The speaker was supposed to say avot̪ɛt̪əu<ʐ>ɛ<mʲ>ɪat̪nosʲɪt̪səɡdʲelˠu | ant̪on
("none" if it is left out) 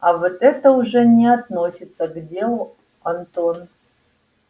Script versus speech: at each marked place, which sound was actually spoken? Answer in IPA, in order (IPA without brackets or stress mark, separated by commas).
ʐ, nʲ